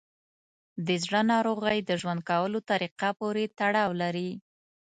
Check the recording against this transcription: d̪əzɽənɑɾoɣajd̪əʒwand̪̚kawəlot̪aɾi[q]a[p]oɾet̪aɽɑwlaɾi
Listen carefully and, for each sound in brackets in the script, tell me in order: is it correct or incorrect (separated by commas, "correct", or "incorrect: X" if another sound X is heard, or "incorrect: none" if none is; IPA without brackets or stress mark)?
correct, correct